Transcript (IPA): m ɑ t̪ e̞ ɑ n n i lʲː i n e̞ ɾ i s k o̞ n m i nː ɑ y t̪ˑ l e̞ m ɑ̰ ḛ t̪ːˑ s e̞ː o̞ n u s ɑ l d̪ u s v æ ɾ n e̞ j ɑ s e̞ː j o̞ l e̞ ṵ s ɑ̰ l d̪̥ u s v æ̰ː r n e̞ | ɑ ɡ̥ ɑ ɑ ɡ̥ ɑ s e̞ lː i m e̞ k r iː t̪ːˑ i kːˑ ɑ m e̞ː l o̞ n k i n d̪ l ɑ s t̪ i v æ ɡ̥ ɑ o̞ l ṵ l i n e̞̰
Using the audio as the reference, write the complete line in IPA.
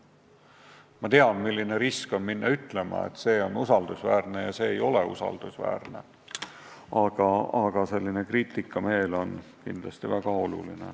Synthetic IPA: m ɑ t̪ e̞ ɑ n m i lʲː i n e̞ ɾ i s k o̞ n m i nː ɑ y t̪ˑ l e̞ m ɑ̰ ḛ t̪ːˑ s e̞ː o̞ n u s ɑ l d̪ u s v æː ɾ n e̞ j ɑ s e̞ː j o̞ l e̞ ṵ s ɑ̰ l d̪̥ u s v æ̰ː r n e̞ | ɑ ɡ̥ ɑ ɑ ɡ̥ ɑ s e̞ lː i n e̞ k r iː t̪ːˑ i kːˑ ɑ m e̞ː l o̞ n k i n d̪ l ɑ s t̪ i v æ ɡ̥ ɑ o̞ l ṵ l i n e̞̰